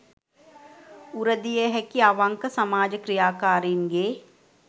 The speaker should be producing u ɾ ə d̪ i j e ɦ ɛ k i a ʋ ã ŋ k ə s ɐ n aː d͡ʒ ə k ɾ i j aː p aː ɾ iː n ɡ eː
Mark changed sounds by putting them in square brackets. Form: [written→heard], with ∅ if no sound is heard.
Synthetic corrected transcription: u ɾ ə d̪ i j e ɦ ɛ k i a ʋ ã ŋ k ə s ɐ [n→m] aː d͡ʒ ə k ɾ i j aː [p→k] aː ɾ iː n ɡ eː